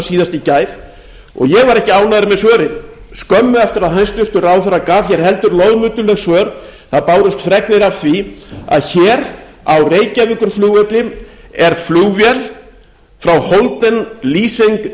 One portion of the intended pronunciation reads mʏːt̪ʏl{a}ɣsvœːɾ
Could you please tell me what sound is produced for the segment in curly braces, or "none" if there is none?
ɛ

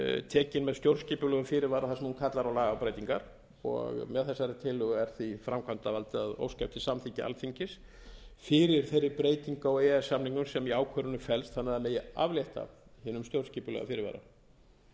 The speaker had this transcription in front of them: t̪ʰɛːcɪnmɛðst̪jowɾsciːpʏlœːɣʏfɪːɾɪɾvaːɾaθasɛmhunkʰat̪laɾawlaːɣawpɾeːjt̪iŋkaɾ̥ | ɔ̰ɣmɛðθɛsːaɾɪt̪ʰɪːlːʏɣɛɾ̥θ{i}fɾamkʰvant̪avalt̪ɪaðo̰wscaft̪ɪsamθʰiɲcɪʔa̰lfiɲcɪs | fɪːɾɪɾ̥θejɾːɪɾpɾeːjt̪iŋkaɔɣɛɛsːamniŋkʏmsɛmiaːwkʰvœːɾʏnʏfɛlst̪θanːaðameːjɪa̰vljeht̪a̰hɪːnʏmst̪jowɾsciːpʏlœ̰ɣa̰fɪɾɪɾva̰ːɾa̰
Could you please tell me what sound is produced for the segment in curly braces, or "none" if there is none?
i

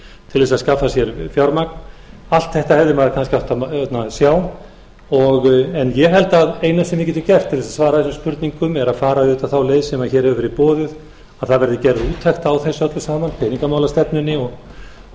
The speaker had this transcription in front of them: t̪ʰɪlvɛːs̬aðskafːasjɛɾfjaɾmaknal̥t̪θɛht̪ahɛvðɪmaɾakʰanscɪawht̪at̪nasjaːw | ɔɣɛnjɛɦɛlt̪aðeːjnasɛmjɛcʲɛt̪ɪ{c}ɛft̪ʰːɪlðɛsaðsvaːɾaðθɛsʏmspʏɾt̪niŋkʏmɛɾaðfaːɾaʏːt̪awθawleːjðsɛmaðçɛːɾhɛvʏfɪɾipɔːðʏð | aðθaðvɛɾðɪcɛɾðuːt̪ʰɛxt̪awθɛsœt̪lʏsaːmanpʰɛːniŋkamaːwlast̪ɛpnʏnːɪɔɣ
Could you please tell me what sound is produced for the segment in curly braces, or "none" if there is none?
c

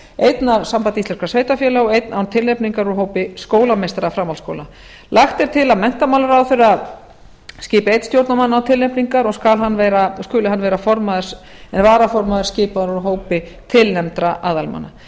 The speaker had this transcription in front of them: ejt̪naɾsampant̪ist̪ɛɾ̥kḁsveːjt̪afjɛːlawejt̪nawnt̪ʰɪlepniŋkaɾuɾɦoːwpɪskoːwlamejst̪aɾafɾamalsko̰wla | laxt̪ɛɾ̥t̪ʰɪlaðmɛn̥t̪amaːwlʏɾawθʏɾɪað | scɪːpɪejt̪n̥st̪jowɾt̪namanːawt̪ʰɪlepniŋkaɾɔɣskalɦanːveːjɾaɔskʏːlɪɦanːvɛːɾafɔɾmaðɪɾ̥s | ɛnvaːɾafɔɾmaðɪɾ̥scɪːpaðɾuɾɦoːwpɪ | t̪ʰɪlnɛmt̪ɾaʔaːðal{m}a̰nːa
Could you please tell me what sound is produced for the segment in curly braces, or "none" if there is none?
m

